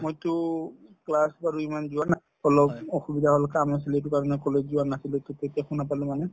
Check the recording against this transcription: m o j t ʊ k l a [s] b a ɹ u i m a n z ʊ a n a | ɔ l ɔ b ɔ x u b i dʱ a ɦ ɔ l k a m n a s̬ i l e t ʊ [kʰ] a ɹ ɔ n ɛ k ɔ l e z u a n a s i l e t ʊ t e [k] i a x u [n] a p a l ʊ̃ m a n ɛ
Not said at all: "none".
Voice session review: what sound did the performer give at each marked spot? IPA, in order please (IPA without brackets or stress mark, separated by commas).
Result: s, k, t, n